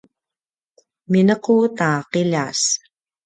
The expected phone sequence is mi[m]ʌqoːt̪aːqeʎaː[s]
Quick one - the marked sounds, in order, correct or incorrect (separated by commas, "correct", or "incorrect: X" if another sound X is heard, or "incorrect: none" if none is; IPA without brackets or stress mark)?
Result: incorrect: n, correct